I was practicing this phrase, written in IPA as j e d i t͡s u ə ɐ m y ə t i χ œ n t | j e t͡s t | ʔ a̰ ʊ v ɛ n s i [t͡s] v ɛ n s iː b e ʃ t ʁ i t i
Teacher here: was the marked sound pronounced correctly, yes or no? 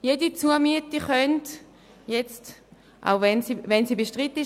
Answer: no